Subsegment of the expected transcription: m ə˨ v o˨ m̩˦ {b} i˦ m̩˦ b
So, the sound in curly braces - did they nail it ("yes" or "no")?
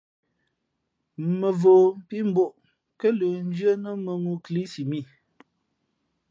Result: no